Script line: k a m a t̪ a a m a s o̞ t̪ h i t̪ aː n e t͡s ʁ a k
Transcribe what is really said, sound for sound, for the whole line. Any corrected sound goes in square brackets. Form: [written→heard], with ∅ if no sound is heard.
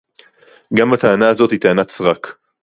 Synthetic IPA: [k→ɡ] a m a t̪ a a [m→n] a [s→z] o̞ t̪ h i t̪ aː n [e→a] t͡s ʁ a k

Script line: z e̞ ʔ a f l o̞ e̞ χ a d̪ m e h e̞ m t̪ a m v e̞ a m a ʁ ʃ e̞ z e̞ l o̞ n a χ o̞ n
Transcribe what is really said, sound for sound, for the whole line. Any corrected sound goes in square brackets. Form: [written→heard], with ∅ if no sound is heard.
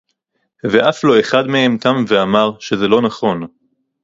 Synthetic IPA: [z→v] e̞ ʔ a f l o̞ e̞ χ a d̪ m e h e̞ m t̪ a m v e̞ a m a ʁ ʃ e̞ z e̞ l o̞ n a χ o̞ n

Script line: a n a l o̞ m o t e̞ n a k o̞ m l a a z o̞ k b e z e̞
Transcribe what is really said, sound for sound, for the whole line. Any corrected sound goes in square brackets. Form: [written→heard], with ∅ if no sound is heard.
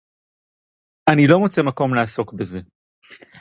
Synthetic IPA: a n [a→i] l o̞ m o [t→t͡s] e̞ [n→m] a k o̞ m l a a [z→s] o̞ k b e z e̞

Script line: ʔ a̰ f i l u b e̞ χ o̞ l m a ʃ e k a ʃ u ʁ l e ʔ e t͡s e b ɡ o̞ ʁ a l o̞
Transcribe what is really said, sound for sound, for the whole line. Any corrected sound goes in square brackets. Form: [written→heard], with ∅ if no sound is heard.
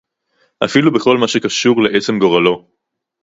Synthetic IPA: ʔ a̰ f i l u b e̞ χ o̞ l m a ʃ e k a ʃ u ʁ l e ʔ e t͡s e [b→m] ɡ o̞ ʁ a l o̞

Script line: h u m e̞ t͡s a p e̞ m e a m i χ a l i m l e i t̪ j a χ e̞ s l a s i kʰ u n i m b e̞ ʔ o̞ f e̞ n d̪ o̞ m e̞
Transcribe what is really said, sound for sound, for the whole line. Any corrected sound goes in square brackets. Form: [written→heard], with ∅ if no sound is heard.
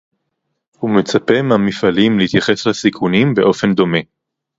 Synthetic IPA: h u m e̞ t͡s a p e̞ m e a m i [χ→f] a l i m l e i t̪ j a χ e̞ s l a s i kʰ u n i m b e̞ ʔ o̞ f e̞ n d̪ o̞ m e̞

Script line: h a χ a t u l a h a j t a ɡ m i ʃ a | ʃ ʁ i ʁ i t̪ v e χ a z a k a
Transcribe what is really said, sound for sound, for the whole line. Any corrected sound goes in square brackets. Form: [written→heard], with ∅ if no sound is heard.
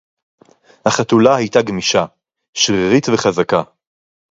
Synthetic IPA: h a χ a t u l a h a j t a ɡ m i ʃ a | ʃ ʁ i ʁ i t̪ v e χ a z a k a

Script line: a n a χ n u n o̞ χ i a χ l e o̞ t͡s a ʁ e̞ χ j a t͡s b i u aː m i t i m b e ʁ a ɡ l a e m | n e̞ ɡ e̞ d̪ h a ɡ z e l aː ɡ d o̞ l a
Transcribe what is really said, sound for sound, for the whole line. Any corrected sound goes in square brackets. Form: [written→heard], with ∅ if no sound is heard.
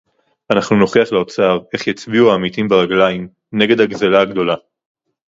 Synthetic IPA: a n a χ n u n o̞ χ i a χ l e o̞ t͡s a ʁ e̞ χ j a t͡s b i u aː m i t i m b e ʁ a ɡ l a [e→i] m | n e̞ ɡ e̞ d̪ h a ɡ z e l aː ɡ d o̞ l a

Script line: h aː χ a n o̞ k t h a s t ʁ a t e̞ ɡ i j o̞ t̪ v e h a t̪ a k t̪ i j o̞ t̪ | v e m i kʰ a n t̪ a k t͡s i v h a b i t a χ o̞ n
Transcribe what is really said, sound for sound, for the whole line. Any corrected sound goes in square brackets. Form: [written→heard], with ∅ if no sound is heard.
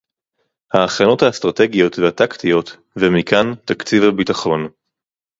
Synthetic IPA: h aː χ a n o̞ [k→∅] t h a s t ʁ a t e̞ ɡ i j o̞ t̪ v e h a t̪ a k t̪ i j o̞ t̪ | v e m i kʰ a n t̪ a k t͡s i v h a b i t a χ o̞ n

